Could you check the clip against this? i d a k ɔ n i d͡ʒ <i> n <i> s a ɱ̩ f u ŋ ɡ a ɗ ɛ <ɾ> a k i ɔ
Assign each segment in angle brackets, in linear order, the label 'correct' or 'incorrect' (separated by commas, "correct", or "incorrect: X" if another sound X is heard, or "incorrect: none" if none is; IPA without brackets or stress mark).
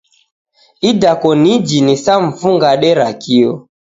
correct, correct, correct